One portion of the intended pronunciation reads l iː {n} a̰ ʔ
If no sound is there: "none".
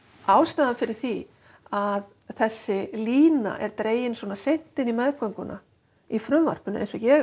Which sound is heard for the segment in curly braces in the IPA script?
n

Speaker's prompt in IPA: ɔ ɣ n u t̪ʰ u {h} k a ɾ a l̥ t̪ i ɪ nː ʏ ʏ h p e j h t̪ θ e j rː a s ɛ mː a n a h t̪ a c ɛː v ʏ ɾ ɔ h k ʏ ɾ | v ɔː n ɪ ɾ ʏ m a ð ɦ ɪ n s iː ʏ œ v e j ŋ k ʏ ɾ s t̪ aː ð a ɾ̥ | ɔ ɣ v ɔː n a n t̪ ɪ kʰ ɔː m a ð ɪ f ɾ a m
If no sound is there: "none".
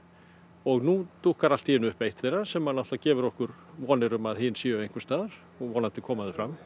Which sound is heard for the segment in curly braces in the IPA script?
h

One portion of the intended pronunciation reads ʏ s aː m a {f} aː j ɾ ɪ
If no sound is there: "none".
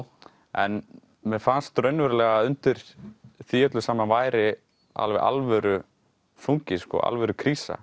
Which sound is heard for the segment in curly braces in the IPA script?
v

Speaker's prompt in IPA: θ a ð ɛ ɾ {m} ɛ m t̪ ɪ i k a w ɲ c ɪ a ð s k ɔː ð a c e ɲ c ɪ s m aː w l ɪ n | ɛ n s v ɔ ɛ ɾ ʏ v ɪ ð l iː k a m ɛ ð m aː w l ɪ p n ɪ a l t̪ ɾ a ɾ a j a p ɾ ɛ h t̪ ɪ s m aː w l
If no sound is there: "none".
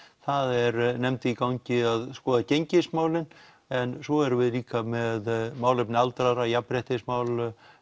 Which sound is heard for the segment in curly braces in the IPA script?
n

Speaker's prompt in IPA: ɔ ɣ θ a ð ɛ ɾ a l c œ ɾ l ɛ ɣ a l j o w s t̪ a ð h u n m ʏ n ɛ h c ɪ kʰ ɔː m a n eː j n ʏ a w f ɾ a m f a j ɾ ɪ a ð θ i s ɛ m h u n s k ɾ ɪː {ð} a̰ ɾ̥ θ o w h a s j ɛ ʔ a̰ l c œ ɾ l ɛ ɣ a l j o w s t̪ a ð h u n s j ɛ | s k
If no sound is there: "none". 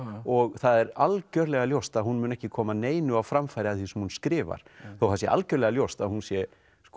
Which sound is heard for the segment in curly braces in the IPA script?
v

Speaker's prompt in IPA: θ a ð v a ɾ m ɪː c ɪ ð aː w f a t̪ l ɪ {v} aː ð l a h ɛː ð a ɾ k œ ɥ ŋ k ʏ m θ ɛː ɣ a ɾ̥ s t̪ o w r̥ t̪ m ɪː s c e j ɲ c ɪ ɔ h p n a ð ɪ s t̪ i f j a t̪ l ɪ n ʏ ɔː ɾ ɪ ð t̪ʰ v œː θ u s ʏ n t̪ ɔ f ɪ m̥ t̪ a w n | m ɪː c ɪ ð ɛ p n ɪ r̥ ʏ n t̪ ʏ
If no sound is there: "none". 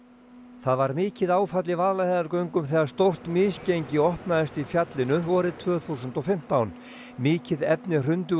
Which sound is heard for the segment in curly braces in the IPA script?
v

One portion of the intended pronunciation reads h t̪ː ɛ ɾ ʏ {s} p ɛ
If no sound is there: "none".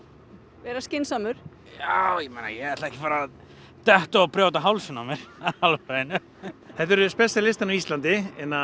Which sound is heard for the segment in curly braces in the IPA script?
s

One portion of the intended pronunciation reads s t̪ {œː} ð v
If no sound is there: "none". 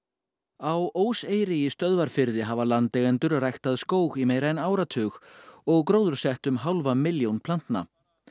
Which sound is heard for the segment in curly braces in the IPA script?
œ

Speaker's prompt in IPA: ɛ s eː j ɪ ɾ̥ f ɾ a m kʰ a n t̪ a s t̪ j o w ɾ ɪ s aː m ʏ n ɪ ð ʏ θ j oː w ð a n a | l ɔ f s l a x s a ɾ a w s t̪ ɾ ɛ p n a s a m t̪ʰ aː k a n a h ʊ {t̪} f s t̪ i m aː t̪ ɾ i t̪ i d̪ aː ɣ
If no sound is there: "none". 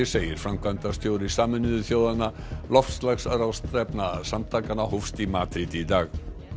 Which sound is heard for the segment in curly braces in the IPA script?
none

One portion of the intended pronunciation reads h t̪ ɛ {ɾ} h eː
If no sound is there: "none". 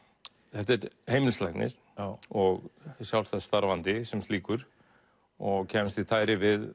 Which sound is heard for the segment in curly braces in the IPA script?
ɾ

